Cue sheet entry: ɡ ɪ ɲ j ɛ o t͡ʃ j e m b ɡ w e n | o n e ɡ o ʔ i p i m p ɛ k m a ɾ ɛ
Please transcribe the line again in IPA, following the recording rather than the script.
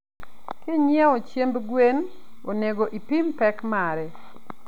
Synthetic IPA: k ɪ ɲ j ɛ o t͡ʃ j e m b ɡ w e n | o n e ɡ o ʔ i p i m p ɛ k m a ɾ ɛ